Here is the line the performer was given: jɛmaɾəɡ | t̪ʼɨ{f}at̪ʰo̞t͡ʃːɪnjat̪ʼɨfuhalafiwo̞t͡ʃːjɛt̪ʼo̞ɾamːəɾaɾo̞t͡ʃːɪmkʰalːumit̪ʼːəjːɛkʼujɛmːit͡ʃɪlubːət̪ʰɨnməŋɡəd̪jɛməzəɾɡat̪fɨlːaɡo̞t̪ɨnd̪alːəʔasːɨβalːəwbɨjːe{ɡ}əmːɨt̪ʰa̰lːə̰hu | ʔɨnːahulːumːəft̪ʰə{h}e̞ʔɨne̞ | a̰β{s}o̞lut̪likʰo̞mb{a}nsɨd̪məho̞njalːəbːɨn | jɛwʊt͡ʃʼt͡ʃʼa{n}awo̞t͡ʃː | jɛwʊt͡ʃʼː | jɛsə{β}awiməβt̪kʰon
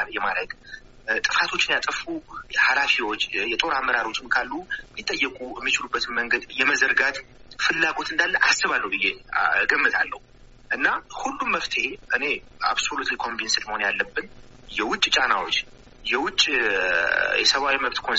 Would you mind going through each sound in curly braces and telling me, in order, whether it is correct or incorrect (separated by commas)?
correct, correct, correct, correct, incorrect, correct, correct